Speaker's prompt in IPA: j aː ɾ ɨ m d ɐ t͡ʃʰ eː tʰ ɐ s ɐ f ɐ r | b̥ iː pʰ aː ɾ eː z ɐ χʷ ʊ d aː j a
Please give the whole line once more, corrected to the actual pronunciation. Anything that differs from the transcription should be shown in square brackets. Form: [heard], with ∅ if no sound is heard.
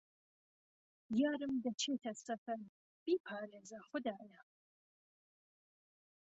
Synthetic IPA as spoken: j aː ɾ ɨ m d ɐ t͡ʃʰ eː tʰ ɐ s ɐ f ɐ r | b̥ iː pʰ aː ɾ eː z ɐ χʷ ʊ d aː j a